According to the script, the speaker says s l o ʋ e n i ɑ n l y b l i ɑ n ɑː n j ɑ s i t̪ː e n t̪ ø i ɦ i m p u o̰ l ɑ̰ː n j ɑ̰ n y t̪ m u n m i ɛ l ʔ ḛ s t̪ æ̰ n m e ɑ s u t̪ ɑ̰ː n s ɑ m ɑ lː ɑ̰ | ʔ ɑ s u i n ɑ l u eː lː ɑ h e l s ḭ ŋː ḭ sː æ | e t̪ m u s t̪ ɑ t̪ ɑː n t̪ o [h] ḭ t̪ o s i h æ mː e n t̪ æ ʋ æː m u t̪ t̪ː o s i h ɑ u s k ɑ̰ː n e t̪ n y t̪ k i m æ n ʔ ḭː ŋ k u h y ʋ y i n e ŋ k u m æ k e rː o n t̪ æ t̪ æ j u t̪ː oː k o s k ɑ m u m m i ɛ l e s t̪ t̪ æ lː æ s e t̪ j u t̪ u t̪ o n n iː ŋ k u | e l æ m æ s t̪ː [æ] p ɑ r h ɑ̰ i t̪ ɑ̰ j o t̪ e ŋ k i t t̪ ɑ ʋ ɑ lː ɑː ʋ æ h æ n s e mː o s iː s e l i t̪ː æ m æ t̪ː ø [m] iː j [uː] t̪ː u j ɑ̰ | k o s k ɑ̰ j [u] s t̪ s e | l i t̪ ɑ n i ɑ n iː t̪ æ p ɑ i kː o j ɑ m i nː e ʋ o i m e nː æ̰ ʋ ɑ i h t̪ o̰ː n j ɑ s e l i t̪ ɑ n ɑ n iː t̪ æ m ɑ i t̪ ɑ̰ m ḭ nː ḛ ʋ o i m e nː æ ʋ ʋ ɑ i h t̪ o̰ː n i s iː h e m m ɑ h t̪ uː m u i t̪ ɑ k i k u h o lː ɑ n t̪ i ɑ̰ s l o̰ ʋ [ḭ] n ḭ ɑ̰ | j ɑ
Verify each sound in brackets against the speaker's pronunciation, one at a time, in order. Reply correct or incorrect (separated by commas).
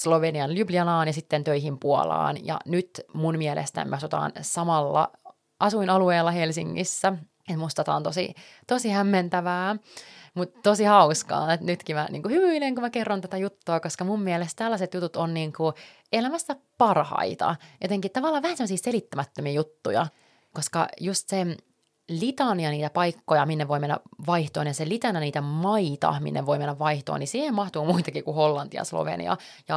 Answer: incorrect, correct, correct, incorrect, correct, incorrect